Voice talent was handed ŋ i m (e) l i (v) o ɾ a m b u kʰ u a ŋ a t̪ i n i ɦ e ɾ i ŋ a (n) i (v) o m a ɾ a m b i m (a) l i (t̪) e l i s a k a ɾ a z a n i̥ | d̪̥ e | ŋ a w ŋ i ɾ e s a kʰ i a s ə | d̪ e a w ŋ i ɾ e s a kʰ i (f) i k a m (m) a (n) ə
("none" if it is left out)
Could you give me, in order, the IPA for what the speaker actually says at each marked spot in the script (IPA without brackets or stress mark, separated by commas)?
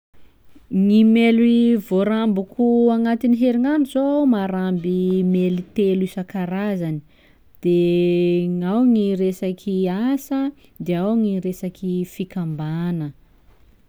e, v, n, z, e, t̪, f, b, n